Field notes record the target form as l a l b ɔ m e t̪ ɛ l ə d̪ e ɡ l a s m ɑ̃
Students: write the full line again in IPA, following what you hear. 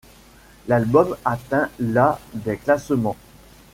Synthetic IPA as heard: l a l b ɔ m a t̪ ɛ̃ l a d̪ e k l a s m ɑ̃